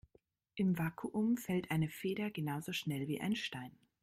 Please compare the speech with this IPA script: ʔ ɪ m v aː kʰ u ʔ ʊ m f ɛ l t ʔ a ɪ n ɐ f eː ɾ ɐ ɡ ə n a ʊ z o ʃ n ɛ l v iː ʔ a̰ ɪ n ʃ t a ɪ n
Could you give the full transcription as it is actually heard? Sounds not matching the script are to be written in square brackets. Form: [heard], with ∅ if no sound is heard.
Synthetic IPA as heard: ʔ ɪ m v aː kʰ u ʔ ʊ m f ɛ l t ʔ a ɪ n [ə] f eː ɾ ɐ ɡ ə n a ʊ z o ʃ n ɛ l v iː ʔ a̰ ɪ n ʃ t a ɪ n